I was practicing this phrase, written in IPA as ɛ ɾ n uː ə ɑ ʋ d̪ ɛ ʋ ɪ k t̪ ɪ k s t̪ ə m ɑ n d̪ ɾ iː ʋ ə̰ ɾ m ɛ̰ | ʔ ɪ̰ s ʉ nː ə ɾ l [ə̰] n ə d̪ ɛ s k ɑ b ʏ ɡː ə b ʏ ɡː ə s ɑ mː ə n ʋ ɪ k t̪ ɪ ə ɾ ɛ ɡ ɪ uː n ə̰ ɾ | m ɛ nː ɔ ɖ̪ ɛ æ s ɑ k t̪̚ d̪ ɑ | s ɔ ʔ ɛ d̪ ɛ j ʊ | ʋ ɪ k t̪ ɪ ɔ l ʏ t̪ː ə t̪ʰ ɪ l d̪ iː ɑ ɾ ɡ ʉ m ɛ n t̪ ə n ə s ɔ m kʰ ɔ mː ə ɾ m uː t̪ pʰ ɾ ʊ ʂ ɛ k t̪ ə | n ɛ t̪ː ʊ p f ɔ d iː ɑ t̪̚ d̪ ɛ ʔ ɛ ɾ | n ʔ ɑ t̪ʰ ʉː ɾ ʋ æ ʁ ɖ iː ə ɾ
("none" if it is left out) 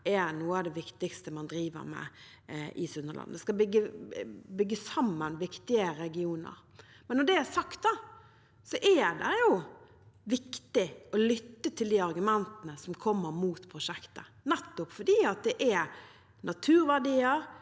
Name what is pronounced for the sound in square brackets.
ɑ̰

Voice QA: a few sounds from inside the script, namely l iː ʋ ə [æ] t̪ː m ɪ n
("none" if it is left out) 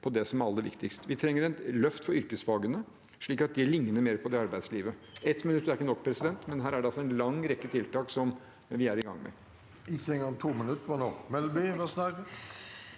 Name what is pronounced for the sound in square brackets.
ɛ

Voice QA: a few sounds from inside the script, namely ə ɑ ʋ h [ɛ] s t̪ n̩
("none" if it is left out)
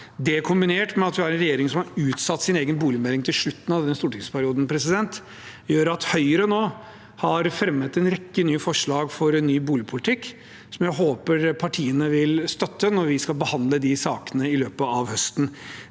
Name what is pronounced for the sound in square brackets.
œ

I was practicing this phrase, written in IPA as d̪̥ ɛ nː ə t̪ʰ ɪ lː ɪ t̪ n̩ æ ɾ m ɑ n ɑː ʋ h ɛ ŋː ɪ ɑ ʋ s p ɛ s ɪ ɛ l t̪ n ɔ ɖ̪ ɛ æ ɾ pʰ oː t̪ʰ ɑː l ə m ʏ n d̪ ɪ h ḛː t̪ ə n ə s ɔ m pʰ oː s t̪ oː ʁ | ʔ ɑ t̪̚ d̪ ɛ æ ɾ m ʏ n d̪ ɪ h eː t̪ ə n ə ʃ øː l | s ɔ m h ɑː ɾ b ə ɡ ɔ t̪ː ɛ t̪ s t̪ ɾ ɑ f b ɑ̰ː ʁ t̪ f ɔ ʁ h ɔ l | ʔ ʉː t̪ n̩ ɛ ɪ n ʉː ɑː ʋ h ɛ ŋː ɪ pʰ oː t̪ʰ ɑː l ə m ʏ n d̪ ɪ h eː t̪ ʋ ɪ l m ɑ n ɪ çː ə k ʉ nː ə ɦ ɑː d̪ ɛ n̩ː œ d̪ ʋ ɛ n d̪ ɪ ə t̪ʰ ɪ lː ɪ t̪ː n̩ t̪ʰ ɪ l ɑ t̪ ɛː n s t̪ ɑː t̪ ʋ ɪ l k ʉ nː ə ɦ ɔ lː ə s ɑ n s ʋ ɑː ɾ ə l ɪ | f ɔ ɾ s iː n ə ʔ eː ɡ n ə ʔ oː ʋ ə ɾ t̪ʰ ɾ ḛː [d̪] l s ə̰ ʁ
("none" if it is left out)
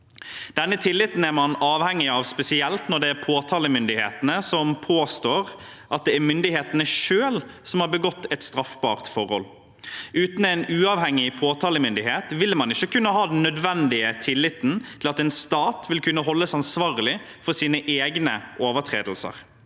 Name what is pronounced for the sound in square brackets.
d̪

